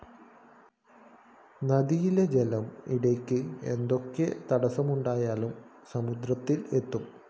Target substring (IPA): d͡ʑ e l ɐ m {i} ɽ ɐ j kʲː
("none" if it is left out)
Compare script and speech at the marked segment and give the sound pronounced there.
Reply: i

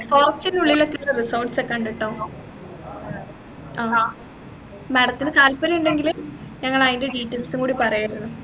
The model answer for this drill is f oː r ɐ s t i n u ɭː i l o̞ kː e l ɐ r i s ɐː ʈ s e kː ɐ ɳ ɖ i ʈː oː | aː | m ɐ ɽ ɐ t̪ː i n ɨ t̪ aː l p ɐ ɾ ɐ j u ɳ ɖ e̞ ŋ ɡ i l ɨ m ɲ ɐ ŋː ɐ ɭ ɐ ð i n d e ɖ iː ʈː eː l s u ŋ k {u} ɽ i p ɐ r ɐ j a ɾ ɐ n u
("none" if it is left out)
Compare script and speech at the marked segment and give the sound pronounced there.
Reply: uː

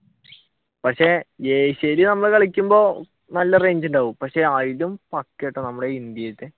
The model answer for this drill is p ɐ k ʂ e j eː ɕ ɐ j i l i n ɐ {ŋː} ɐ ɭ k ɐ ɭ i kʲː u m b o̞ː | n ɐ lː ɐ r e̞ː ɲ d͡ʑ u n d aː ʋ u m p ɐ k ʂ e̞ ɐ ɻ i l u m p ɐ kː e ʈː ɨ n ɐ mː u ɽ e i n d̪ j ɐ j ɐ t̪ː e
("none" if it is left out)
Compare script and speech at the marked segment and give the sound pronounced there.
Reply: mː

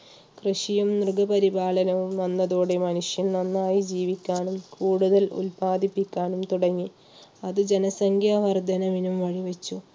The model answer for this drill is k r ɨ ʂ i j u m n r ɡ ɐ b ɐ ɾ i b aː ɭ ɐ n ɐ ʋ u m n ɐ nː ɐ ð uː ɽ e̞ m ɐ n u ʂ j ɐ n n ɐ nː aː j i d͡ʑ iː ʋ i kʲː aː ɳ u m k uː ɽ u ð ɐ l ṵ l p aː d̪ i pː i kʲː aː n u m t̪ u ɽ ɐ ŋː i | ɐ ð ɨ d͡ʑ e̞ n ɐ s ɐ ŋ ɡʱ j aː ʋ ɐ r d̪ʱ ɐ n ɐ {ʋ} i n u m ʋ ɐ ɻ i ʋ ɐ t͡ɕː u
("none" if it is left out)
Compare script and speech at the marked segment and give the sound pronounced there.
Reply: ʋ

